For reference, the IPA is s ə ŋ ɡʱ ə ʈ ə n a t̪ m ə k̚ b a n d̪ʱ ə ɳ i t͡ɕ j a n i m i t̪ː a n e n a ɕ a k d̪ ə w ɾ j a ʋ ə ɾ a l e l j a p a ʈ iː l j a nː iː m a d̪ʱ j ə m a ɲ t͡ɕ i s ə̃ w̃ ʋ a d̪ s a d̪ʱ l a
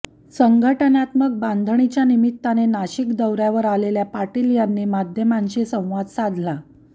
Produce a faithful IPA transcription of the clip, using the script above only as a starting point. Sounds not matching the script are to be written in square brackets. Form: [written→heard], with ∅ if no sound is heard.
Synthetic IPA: s ə ŋ ɡʱ ə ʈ ə n a t̪ m ə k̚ b a n d̪ʱ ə ɳ i t͡ɕ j a n i m i t̪ː a n e n a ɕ [a→i] k d̪ ə w ɾ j a ʋ ə ɾ a l e l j a p a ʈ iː l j a nː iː m a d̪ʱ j ə m a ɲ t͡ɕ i s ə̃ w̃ ʋ a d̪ s a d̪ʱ l a

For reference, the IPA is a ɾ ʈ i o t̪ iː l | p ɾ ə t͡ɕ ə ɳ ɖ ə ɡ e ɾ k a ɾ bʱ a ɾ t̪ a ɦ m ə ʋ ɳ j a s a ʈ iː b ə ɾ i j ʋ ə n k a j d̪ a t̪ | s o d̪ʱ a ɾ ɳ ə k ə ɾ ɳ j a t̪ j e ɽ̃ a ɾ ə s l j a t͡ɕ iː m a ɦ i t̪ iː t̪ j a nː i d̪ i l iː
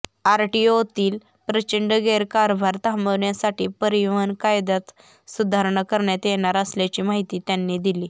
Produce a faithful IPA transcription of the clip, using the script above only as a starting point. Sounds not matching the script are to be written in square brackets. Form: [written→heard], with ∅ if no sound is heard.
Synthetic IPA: a ɾ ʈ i o t̪ iː l | p ɾ ə t͡ɕ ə ɳ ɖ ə ɡ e ɾ k a ɾ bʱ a ɾ t̪ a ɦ m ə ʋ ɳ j a s a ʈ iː [b→p] ə ɾ i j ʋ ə n k a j d̪ a t̪ | s [o→u] d̪ʱ a ɾ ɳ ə k ə ɾ ɳ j a t̪ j e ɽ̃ a ɾ ə s l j a t͡ɕ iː m a ɦ i t̪ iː t̪ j a nː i d̪ i l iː

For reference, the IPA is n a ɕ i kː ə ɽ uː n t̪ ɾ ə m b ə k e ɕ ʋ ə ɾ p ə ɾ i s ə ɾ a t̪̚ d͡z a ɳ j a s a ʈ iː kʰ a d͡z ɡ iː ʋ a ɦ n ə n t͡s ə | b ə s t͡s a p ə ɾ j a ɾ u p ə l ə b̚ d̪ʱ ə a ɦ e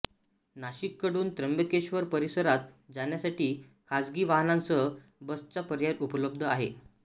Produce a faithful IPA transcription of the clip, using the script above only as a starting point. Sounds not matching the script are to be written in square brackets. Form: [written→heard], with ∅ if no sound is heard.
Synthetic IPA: n a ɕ i kː ə ɽ uː n t̪ ɾ ə m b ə k e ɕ ʋ ə ɾ p ə ɾ i s ə ɾ a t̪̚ d͡z a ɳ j a s a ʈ iː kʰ a d͡z ɡ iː ʋ a ɦ n [ə→a] n t͡s ə | b ə s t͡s a p ə ɾ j a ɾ u p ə l ə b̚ d̪ʱ ə a ɦ e

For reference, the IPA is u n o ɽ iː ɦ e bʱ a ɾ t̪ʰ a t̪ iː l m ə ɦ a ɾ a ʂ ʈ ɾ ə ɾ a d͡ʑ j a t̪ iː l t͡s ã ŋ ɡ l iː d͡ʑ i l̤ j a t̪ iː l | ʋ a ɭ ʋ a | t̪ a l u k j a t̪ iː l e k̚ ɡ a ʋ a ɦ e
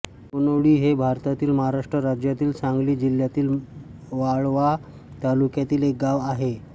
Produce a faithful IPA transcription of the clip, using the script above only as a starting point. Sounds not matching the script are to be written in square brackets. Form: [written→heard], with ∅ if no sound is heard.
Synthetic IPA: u n o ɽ iː ɦ e bʱ a ɾ [t̪ʰ→t̪] a t̪ iː l m ə ɦ a ɾ a ʂ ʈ ɾ ə ɾ a d͡ʑ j a t̪ iː l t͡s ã ŋ ɡ l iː d͡ʑ i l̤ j a t̪ iː l | ʋ a ɭ ʋ a | t̪ a l u k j a t̪ iː l e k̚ ɡ a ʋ a ɦ e

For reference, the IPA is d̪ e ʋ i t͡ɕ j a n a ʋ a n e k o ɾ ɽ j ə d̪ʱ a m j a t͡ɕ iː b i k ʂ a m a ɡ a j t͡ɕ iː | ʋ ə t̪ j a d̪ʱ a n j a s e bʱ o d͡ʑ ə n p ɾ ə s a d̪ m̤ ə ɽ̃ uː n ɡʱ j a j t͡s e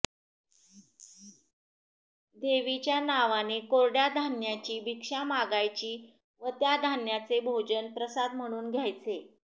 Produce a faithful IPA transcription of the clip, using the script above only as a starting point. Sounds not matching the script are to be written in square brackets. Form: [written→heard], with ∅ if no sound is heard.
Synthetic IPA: d̪ e ʋ i t͡ɕ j a n a ʋ a n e k o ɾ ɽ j [ə→a] d̪ʱ a [m→n] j a t͡ɕ iː b i k ʂ a m a ɡ a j t͡ɕ iː | ʋ ə t̪ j a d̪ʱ a n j a [s→t͡s] e bʱ o d͡ʑ ə n p ɾ ə s a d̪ m̤ ə ɽ̃ uː n ɡʱ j a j t͡s e

